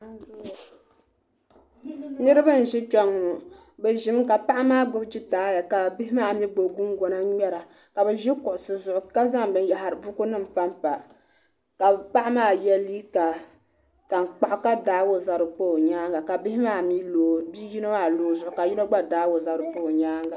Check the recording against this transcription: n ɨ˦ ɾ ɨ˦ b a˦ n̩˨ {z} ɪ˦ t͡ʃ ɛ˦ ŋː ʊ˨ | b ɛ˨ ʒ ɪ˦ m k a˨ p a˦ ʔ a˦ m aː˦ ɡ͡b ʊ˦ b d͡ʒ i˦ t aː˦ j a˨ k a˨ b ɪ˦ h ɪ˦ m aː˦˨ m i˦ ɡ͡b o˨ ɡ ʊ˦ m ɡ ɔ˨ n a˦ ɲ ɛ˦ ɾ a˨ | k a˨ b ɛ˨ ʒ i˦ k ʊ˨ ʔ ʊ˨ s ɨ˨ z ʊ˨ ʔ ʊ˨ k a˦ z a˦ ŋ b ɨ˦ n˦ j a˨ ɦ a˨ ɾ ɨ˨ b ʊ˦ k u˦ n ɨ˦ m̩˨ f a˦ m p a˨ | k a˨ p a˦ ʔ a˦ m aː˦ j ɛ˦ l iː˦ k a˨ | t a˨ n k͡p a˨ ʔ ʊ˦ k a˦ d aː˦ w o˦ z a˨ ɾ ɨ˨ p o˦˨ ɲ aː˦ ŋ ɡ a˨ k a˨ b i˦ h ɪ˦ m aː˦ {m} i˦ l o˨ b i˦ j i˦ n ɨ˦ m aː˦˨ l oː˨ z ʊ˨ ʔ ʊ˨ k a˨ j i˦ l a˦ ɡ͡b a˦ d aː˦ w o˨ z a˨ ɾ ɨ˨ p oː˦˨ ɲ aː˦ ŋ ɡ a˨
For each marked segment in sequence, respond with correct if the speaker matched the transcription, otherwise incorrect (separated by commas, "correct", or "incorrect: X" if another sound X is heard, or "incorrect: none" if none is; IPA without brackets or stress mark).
incorrect: ʒ, correct